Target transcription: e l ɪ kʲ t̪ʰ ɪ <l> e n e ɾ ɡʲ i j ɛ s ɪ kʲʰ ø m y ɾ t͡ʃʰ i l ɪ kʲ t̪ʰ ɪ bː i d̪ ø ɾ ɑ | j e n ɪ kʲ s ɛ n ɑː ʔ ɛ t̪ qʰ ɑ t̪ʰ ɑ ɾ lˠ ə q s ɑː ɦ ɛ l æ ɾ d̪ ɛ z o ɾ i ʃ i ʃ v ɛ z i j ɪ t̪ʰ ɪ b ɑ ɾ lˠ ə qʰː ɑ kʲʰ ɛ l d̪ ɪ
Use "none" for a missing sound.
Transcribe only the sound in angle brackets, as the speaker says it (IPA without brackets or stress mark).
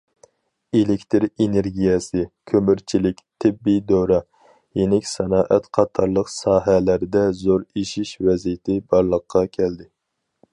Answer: ɾ